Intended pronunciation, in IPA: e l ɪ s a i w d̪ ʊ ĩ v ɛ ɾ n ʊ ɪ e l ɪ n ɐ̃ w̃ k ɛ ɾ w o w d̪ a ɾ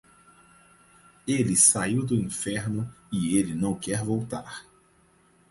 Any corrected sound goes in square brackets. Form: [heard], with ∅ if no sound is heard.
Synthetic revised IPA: e l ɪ s a i w d̪ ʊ ĩ [f] ɛ ɾ n ʊ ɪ e l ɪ n ɐ̃ w̃ k ɛ ɾ [v] o w [t̪] a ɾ